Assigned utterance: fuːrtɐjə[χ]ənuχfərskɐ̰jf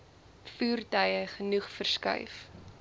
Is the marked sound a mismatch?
no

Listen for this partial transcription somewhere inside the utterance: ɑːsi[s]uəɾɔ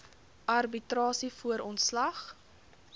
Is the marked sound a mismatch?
yes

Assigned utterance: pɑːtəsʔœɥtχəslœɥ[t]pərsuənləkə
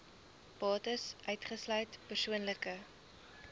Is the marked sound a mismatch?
no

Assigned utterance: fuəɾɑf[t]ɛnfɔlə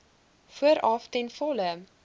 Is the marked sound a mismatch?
no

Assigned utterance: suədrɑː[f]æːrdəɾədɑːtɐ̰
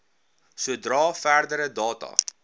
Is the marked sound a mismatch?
no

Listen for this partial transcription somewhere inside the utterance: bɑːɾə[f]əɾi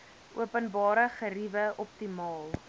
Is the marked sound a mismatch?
yes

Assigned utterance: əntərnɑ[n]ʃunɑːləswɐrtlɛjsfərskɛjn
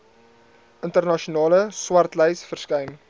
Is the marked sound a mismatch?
yes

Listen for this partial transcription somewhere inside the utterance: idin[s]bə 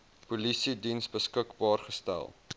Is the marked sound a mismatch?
no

